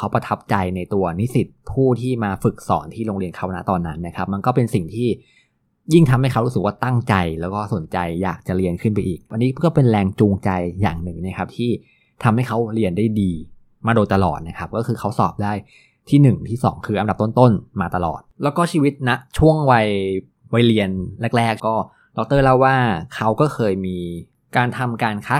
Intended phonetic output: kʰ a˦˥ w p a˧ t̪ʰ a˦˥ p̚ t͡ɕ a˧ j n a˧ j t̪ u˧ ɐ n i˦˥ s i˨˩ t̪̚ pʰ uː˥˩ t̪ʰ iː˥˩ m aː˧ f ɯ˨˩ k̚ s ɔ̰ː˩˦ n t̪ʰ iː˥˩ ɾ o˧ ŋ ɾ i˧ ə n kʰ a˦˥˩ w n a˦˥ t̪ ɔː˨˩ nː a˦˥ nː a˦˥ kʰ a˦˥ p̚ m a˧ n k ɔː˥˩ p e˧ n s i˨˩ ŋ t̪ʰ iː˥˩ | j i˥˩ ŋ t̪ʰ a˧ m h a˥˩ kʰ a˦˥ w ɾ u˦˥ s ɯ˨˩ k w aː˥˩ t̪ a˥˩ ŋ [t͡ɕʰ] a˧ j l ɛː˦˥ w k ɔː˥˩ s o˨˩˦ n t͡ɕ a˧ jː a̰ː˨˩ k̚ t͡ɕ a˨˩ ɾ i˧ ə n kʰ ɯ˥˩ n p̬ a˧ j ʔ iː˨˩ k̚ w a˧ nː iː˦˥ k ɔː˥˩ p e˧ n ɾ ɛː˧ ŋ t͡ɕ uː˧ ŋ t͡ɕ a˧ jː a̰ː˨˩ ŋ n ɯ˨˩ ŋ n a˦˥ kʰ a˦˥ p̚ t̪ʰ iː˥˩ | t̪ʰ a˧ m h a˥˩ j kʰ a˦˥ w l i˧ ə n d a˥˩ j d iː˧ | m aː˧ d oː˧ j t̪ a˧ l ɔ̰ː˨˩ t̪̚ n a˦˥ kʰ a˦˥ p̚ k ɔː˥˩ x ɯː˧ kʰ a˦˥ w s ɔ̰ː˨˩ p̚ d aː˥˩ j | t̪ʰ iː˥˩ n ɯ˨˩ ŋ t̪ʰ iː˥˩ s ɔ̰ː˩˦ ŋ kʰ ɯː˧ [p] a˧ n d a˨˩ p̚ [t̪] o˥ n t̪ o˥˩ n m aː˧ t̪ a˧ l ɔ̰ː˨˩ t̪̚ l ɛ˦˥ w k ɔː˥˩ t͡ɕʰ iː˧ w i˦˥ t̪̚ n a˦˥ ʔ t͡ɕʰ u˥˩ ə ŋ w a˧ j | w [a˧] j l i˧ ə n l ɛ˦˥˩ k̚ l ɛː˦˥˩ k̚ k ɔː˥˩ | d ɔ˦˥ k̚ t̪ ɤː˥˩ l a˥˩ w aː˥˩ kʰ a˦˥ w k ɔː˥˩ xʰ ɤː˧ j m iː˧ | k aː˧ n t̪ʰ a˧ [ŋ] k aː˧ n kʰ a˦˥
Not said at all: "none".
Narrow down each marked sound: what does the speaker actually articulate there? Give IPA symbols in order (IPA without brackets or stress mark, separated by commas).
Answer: t͡ɕ, ʔ, t̪, a˧, m